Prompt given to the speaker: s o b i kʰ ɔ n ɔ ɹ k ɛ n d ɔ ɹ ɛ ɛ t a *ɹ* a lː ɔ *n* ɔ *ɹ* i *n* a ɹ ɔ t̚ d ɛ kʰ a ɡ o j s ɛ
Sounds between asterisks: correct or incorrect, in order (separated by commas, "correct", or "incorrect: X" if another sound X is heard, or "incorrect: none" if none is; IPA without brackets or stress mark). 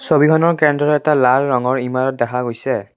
incorrect: l, incorrect: ŋ, correct, incorrect: m